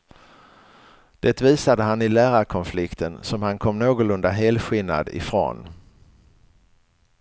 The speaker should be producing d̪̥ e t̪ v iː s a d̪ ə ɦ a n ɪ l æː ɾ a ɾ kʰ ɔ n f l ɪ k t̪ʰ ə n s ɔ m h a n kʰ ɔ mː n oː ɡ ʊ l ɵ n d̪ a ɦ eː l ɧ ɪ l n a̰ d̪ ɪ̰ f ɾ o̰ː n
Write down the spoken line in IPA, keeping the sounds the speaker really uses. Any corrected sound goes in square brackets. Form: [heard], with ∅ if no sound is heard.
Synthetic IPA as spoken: d̪̥ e t̪ v iː s a d̪ ə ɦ a n ɪ l æː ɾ a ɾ kʰ ɔ n f l ɪ k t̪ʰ ə n s ɔ m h a n kʰ ɔ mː n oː ɡ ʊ l ɵ n d̪ a ɦ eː l ɧ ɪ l n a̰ d̪ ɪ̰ f ɾ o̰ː n